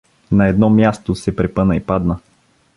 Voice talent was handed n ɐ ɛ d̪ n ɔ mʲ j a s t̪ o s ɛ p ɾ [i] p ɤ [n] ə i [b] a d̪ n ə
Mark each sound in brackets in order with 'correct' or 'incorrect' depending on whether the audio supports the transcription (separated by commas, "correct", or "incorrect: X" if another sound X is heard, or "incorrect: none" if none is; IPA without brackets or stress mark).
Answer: incorrect: ɛ, correct, incorrect: p